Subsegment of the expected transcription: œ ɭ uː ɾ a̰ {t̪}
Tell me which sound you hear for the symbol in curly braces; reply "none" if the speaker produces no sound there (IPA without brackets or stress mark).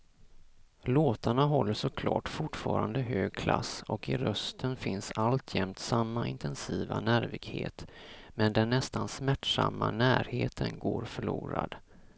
d̪